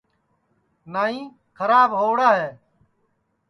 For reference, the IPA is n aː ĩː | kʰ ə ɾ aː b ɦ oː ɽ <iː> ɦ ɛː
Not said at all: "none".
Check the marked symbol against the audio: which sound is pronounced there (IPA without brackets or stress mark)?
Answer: aː